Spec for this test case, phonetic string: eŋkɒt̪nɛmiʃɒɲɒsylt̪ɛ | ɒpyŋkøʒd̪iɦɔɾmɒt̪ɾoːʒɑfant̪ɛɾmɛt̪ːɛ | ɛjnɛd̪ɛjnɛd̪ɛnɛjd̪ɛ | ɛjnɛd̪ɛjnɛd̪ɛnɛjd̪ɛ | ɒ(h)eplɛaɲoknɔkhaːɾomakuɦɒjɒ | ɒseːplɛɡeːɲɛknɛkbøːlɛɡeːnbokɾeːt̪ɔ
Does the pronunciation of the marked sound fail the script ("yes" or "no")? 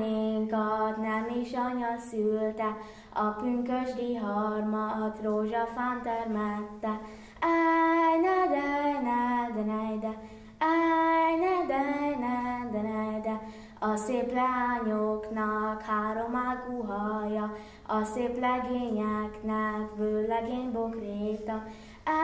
yes